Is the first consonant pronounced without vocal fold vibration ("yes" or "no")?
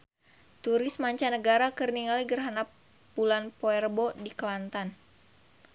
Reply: yes